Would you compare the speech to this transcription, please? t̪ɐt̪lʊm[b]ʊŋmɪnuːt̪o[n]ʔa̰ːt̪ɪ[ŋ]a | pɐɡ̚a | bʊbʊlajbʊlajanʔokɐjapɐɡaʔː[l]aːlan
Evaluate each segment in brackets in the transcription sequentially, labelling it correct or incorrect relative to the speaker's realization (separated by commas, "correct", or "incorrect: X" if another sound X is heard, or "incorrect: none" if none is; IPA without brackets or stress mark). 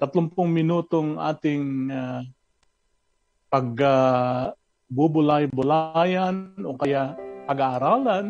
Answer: incorrect: p, incorrect: ŋ, correct, incorrect: ɾ